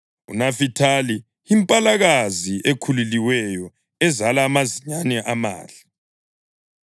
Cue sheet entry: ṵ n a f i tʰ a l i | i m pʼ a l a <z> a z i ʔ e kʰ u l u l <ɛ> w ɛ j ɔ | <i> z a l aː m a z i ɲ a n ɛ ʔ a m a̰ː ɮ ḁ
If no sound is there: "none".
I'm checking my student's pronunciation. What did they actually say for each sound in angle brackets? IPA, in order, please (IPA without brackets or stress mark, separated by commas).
ɣ, i, ɛ